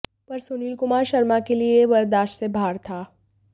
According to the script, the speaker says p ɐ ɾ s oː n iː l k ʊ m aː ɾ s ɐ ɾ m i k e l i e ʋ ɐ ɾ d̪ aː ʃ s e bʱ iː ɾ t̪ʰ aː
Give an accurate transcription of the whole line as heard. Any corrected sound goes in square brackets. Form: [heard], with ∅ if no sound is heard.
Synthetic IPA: p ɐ ɾ s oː n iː l k ʊ m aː ɾ [ʃ] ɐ ɾ m [a] k e l i e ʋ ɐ ɾ d̪ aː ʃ s e bʱ [aː] ɾ t̪ʰ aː